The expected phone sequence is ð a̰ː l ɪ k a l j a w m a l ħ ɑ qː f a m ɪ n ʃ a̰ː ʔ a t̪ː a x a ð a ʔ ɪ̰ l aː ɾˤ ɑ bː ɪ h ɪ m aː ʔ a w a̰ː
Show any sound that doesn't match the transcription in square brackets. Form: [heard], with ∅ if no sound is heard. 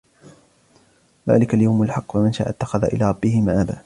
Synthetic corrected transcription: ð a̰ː l ɪ k a l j a w m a l ħ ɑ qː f a m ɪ n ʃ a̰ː ʔ a t̪ː a x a ð a ʔ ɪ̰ l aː ɾˤ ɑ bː ɪ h ɪ m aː ʔ a [b] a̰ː